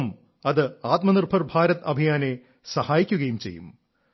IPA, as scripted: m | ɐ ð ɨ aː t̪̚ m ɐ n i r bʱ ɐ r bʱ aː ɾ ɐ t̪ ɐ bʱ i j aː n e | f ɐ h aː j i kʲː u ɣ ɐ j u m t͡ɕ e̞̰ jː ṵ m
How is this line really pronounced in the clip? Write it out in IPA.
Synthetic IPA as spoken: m | ɐ ð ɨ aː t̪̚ m ɐ n i r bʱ ɐ r bʱ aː ɾ ɐ t̪ ɐ bʱ i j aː n e | s ɐ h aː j i kʲː u ɣ ɐ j u m t͡ɕ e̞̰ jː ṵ m